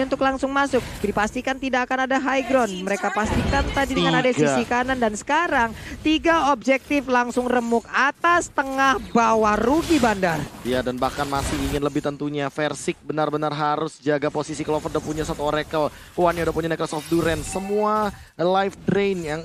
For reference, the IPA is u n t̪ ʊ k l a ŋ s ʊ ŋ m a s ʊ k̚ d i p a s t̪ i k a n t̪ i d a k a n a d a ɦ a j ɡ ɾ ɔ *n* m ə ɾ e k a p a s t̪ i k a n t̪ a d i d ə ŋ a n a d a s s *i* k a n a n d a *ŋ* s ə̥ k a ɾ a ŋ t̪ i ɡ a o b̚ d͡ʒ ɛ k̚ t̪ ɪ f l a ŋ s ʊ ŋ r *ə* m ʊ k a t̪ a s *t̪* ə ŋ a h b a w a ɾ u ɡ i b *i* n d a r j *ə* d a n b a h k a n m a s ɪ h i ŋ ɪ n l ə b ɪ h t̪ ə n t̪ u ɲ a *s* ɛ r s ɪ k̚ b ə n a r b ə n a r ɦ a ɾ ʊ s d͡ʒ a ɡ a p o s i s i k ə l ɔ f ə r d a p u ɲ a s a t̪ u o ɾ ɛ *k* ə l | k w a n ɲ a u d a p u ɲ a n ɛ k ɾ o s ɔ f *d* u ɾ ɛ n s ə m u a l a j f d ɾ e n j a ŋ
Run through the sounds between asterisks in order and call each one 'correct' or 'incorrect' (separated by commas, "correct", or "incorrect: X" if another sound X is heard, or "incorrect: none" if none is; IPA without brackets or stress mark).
correct, correct, incorrect: n, correct, correct, incorrect: a, incorrect: a, incorrect: f, correct, correct